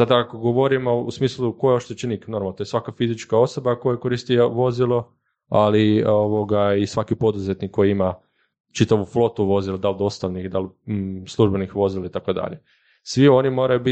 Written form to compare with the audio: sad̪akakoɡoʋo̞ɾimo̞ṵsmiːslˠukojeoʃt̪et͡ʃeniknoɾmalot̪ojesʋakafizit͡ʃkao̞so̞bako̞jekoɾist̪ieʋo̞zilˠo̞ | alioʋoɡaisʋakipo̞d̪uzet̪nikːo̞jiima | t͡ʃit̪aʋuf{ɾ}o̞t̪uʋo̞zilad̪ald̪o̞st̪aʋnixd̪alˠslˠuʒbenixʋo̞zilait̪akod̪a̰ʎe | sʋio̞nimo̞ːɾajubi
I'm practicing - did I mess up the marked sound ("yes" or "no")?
yes